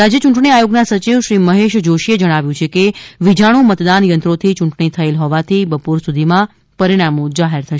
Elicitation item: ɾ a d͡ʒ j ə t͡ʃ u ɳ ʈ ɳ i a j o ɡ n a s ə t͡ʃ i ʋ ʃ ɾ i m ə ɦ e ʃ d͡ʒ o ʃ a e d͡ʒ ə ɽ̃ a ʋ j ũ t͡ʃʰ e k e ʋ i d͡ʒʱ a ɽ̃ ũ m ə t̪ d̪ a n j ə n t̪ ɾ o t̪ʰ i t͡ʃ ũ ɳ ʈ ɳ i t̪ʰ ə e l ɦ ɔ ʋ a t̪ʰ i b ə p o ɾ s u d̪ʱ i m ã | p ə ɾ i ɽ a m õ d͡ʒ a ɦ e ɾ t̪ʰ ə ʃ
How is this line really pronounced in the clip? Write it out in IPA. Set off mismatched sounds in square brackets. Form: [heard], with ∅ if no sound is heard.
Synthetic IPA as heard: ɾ a d͡ʒ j ə t͡ʃ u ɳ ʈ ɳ i a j o ɡ n a s ə t͡ʃ i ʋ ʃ ɾ i m ə ɦ e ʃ d͡ʒ o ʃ [i] e d͡ʒ ə ɽ̃ a ʋ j ũ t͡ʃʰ e k e ʋ i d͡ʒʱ a ɽ̃ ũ m ə t̪ d̪ a n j ə n t̪ ɾ o t̪ʰ i t͡ʃ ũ ɳ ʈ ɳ i t̪ʰ ə e l ɦ ɔ ʋ a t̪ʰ i b ə p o ɾ s u d̪ʱ i m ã | p ə ɾ i ɽ a m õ d͡ʒ a ɦ e ɾ t̪ʰ ə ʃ

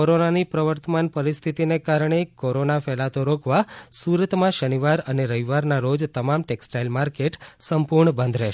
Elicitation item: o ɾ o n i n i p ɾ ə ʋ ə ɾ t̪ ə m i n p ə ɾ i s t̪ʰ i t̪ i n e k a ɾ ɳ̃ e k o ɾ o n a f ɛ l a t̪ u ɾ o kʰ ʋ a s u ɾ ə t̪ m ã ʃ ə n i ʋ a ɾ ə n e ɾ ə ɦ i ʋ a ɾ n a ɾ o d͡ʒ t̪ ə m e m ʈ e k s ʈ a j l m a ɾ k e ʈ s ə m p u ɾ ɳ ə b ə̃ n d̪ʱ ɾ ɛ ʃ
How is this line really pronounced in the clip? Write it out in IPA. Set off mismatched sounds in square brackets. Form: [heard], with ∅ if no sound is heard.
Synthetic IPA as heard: o ɾ o n [a] n i p ɾ ə ʋ ə ɾ t̪ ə m [a] n p ə ɾ i s t̪ʰ i t̪ i n e k a ɾ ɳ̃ e k o ɾ o n a f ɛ l a t̪ [o] ɾ o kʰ ʋ a s u ɾ ə t̪ m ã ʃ ə n i ʋ a ɾ ə n e ɾ ə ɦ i ʋ a ɾ n a ɾ o d͡ʒ t̪ ə m [a] m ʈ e k s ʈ a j l m a ɾ k e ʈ s ə m p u ɾ ɳ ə b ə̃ n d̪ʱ ɾ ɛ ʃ

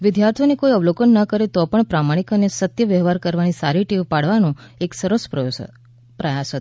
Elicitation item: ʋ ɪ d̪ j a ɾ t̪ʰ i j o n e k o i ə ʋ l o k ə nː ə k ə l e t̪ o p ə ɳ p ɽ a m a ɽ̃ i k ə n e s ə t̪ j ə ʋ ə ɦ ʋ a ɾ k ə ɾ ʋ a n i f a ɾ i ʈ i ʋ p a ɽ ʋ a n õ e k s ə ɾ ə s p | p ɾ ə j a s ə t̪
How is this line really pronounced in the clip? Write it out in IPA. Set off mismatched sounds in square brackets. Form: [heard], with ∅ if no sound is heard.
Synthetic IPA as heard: ʋ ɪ d̪ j a ɾ t̪ʰ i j o n e k o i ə ʋ l o k ə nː ə k ə [ɾ] e t̪ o p ə ɳ p [ɾ] a m a ɽ̃ i k ə n e s ə t̪ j ə ʋ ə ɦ ʋ a ɾ k ə ɾ ʋ a n i [s] a ɾ i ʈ i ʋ p a ɽ ʋ a n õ e k s ə ɾ ə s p | p ɾ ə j a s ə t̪

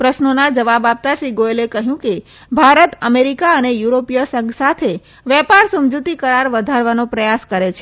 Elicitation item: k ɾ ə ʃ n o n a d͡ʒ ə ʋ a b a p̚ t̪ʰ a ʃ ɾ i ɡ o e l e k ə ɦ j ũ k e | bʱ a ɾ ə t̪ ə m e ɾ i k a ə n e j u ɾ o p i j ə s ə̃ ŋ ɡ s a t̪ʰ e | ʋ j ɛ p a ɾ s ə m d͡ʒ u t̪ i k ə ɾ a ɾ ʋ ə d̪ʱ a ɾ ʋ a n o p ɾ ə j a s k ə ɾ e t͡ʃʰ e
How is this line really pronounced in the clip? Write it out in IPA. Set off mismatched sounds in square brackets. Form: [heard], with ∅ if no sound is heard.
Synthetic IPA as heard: [p] ɾ ə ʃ n o n a d͡ʒ ə ʋ a b a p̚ [t̪] a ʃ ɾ i ɡ o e l e k ə ɦ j ũ k e | bʱ a ɾ ə t̪ ə m e ɾ i k a ə n e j u ɾ o p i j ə s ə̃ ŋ ɡ s a t̪ʰ e | ʋ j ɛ p a ɾ s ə m d͡ʒ u t̪ i k ə ɾ a ɾ ʋ ə d̪ʱ a ɾ ʋ a n o p ɾ ə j a s k ə ɾ e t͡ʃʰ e

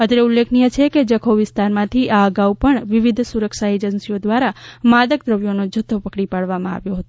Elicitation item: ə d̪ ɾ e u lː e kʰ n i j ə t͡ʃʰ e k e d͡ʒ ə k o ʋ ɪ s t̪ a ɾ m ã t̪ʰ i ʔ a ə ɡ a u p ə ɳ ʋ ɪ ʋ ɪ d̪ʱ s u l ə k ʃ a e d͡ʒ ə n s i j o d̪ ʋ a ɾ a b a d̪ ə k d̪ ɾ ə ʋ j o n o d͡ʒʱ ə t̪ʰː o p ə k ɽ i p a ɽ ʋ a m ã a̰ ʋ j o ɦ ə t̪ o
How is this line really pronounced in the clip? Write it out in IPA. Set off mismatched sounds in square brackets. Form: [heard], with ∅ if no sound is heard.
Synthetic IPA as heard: ə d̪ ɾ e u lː e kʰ n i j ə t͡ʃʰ e k e d͡ʒ ə [kʰ] o ʋ ɪ s t̪ a ɾ m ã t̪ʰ i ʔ a ə ɡ a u p ə ɳ ʋ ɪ ʋ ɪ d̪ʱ s u [ɾ] ə k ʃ a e d͡ʒ ə n s i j o d̪ ʋ a ɾ a [m] a d̪ ə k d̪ ɾ ə ʋ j o n o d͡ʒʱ ə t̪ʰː o p ə k ɽ i p a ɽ ʋ a m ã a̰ ʋ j o ɦ ə t̪ o

